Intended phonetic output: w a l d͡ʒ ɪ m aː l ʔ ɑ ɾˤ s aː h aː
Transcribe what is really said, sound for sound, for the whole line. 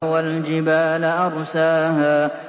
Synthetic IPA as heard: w a l d͡ʒ ɪ b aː l ʔ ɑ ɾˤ s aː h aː